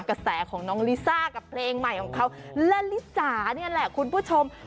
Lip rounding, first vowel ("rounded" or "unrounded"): unrounded